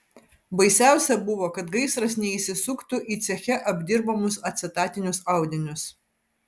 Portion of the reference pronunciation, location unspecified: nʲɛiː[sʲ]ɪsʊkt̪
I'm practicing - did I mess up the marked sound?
no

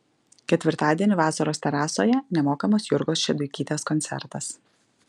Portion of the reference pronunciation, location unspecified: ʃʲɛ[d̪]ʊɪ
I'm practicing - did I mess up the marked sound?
no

